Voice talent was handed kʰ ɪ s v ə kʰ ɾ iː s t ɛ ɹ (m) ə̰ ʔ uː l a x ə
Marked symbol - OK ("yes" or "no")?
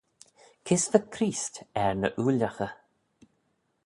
no